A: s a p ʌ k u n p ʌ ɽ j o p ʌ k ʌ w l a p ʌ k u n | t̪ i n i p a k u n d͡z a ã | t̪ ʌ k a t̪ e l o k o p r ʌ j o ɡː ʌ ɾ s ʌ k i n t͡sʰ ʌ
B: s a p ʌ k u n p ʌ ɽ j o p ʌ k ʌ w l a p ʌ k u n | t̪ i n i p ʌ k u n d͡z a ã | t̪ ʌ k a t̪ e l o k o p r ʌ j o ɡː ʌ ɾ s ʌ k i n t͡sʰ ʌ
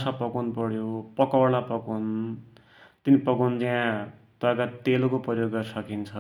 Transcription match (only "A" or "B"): B